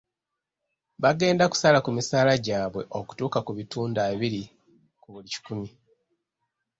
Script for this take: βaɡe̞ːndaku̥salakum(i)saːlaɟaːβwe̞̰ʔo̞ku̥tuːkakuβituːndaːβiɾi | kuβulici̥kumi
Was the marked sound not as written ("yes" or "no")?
no